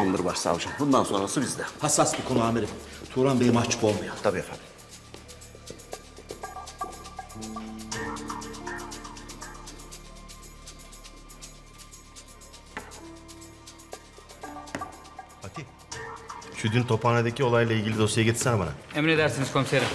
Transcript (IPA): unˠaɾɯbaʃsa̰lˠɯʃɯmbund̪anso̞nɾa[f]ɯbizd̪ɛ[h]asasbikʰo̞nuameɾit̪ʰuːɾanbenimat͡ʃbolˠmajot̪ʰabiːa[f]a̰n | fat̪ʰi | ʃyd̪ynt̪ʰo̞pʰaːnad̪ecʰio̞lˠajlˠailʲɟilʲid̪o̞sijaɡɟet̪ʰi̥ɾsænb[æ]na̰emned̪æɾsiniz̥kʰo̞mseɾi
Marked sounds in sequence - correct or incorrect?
incorrect, correct, correct, incorrect

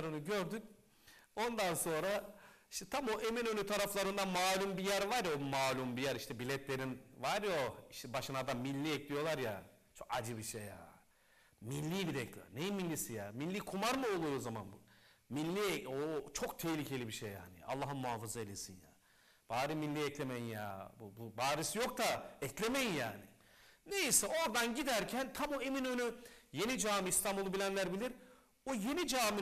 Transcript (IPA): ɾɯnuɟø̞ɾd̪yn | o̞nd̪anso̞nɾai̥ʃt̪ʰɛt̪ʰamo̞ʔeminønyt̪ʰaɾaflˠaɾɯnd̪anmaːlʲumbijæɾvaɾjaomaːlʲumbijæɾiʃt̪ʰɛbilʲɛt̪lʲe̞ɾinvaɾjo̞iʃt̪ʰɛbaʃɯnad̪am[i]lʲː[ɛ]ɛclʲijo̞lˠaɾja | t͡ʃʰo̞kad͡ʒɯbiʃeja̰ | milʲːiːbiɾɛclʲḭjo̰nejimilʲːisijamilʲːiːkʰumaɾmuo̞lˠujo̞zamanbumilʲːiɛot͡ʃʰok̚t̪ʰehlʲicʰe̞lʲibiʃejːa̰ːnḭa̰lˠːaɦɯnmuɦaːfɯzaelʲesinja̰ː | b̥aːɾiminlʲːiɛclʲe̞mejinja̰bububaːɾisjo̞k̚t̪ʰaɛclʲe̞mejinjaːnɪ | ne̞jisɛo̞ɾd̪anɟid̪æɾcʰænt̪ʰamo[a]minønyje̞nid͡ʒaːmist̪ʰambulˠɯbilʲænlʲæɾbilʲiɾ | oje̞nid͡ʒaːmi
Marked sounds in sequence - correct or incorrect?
correct, incorrect, incorrect

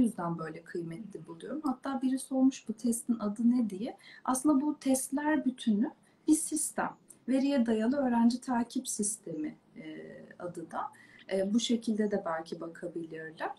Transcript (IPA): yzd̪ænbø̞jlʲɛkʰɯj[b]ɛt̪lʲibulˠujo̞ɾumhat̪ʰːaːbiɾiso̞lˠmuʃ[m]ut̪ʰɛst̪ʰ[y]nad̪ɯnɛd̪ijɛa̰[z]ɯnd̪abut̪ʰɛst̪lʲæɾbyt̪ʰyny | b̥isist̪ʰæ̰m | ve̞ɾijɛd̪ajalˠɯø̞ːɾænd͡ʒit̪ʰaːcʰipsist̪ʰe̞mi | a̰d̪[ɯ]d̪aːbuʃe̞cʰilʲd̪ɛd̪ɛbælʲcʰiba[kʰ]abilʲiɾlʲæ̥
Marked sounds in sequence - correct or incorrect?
incorrect, incorrect, incorrect, incorrect, correct, correct

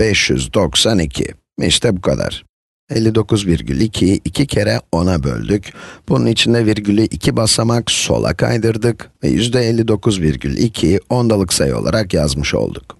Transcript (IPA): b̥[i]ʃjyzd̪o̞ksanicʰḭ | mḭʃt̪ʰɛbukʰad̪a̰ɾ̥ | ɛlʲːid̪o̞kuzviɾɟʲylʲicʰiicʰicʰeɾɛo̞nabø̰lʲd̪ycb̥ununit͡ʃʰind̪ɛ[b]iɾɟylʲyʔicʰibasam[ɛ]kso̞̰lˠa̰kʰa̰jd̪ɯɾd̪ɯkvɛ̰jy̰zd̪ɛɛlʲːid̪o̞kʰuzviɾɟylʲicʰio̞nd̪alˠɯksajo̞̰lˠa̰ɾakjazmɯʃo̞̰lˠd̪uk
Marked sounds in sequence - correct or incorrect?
incorrect, incorrect, incorrect

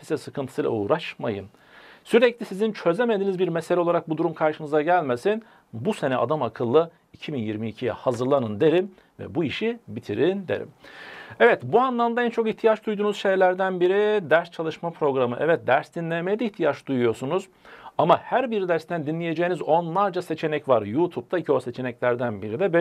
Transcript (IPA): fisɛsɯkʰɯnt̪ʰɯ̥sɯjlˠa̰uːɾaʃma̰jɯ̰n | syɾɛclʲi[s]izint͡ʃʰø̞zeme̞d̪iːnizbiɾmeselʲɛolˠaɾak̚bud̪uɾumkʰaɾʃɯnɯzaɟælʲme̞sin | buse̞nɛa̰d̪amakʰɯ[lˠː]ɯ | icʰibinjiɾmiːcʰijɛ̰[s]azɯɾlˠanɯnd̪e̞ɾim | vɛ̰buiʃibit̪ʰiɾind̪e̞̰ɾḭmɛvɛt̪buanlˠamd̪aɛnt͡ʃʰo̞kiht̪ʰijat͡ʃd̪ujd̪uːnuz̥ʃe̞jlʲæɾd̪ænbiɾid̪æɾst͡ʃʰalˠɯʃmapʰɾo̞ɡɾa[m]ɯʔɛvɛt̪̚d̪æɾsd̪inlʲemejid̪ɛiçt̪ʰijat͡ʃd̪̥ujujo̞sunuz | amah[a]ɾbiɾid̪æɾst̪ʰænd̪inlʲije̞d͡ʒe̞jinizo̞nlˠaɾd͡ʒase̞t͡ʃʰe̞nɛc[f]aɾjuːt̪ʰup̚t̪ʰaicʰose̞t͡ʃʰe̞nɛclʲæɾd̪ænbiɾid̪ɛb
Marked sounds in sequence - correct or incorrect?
correct, correct, incorrect, correct, incorrect, incorrect

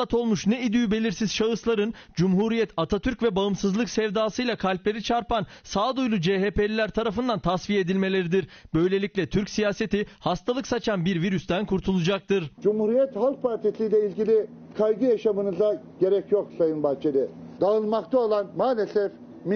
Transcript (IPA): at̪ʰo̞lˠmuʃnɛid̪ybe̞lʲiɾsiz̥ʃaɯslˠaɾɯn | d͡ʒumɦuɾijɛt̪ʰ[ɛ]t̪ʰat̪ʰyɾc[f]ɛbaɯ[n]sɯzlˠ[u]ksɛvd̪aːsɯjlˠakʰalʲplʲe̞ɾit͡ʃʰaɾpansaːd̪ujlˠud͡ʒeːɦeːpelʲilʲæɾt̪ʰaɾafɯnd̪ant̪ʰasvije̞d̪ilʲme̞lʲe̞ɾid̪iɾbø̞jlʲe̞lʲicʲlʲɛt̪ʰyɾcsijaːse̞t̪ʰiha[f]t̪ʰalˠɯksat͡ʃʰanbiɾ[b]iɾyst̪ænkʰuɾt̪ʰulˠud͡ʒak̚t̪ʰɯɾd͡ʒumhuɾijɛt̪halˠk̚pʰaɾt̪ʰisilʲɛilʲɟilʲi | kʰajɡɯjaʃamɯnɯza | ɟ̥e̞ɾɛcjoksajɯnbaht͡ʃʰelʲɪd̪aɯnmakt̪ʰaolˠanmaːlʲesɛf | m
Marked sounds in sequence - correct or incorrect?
incorrect, incorrect, incorrect, incorrect, incorrect, incorrect

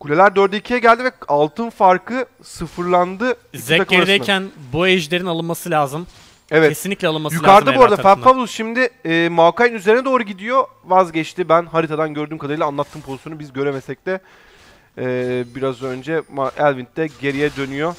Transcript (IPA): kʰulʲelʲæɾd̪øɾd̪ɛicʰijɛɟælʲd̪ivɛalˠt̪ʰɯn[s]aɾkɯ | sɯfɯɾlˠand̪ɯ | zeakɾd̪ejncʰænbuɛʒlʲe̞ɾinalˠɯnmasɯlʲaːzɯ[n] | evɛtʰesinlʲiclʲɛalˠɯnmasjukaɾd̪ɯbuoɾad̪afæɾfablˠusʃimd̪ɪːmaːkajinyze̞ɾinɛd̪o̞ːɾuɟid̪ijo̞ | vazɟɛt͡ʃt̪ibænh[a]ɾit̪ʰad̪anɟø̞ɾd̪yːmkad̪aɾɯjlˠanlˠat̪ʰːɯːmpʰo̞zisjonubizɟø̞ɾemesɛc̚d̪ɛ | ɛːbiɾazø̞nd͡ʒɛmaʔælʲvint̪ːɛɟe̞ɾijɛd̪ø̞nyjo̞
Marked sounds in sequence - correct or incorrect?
incorrect, incorrect, correct

